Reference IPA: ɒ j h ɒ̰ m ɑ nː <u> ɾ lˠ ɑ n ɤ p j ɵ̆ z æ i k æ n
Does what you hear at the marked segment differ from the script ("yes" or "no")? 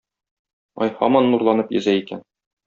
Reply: no